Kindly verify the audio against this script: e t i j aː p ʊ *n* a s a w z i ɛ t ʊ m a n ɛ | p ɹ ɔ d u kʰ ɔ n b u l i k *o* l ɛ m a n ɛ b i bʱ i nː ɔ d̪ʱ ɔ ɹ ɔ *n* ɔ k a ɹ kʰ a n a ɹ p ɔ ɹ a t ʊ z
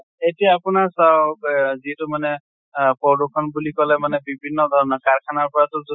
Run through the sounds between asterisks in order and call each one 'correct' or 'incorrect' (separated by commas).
correct, incorrect, correct